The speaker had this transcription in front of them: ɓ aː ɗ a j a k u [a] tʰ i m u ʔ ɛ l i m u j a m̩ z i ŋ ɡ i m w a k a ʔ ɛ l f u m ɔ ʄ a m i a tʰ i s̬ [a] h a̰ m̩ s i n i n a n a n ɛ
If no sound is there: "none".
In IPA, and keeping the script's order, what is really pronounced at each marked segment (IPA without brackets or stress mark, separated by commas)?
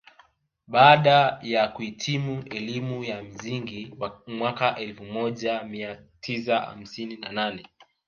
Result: i, a